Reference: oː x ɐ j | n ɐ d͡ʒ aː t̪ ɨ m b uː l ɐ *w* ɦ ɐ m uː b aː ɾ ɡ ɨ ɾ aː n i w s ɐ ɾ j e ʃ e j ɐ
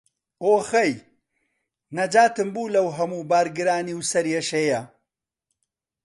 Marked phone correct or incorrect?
correct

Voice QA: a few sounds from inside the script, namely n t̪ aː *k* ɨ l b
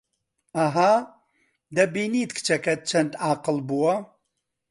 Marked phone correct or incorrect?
incorrect: q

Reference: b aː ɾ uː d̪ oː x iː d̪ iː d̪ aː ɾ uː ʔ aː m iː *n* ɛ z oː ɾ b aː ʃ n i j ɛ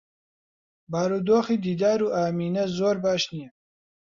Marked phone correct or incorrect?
correct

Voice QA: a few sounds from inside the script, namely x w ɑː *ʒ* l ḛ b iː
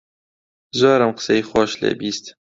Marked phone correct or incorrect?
incorrect: ʃ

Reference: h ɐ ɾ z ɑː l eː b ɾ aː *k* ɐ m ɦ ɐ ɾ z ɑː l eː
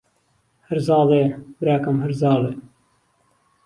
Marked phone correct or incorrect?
correct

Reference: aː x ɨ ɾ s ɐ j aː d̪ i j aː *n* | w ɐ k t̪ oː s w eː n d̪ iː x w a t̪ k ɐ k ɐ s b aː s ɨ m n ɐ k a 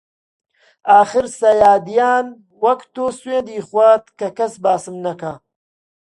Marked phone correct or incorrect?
correct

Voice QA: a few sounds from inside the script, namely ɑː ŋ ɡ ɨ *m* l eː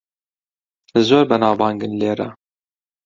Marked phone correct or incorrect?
incorrect: n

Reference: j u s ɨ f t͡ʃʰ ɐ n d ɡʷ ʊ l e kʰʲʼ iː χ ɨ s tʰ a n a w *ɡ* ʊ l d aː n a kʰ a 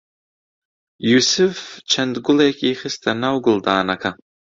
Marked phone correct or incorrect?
correct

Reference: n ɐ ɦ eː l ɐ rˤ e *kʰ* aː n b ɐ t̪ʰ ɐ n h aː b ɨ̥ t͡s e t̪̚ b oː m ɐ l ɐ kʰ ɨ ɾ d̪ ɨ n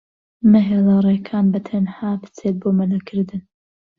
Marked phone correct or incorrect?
correct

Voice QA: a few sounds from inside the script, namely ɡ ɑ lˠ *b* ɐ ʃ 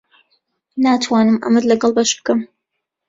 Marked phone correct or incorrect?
correct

